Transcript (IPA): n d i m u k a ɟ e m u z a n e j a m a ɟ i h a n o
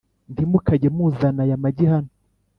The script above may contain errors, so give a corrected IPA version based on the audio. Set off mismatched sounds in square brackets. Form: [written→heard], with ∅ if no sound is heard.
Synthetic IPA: n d i m u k a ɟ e m u z a n [e→a] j a m a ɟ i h a n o